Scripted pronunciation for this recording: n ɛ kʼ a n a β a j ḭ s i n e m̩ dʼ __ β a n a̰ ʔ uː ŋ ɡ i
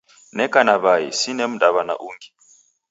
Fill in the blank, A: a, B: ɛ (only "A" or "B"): A